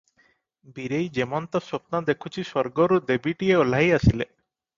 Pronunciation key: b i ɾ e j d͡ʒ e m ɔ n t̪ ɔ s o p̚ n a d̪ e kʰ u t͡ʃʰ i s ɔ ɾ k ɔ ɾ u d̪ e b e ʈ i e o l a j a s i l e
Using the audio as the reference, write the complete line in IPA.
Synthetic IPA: b i ɾ e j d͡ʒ e m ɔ n t̪ ɔ s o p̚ n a d̪ e kʰ u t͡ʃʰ i s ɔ ɾ ɡ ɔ ɾ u d̪ e b i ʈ i e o l a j a s i l e